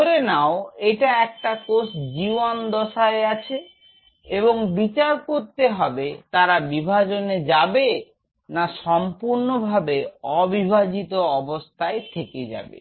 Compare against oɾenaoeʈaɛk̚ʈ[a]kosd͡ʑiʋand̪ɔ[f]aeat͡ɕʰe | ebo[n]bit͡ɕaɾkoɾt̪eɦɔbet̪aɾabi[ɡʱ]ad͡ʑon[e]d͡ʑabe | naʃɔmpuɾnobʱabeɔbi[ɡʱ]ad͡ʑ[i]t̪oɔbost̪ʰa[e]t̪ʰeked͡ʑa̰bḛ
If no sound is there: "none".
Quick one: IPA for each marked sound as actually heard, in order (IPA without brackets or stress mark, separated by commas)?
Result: a, ʃ, ŋ, bʱ, e, bʱ, i, e